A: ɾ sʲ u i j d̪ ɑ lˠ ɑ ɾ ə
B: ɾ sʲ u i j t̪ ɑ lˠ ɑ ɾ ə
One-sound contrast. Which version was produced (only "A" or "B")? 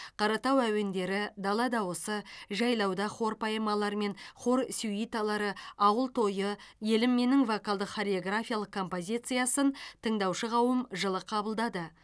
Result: B